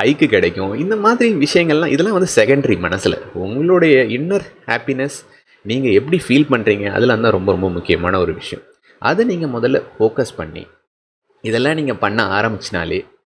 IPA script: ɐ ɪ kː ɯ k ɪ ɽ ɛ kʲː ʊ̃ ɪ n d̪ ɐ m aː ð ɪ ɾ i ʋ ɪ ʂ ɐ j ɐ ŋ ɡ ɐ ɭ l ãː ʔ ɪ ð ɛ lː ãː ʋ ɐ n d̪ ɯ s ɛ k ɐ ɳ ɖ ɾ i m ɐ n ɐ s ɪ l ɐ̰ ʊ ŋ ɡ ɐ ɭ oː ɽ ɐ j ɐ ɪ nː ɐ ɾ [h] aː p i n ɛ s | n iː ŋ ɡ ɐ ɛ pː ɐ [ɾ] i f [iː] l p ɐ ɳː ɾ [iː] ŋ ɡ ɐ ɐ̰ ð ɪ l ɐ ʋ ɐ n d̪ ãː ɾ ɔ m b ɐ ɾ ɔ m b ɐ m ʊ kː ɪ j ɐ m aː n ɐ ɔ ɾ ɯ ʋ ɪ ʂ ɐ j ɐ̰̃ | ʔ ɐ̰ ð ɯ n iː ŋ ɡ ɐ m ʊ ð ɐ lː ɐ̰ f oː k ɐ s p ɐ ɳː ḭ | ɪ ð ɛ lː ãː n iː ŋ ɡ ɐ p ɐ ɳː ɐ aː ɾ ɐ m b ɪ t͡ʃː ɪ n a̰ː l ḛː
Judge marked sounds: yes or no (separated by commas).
yes, no, yes, yes